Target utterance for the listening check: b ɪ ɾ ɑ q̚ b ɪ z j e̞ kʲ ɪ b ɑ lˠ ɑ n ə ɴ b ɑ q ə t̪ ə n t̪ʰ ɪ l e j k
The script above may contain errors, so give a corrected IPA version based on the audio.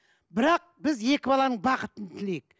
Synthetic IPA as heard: b ɪ ɾ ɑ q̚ b ɪ z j e̞ kʲ ɪ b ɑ lˠ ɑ n ə ɴ b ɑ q ə t̪ ə n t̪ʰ ɪ l e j k